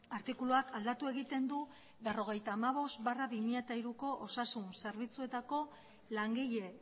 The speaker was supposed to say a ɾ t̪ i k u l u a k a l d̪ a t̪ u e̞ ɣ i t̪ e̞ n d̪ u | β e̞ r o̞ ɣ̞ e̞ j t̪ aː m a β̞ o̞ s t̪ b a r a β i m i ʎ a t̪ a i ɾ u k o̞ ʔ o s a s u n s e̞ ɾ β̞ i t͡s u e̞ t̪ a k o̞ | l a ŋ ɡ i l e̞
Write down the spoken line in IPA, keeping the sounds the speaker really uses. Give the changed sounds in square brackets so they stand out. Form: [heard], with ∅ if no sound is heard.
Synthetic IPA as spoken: a ɾ t̪ i k u l u a k a l d̪ a t̪ u e̞ ɣ i t̪ e̞ n d̪ u | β e̞ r o̞ ɣ̞ e̞ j t̪ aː m a β̞ o̞ s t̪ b a r a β i m i ʎ a t̪ a i ɾ u k o̞ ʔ o s a s u n s e̞ ɾ β̞ i t͡s u e̞ t̪ a k o̞ | l a ŋ ɡ i [ʎ] e̞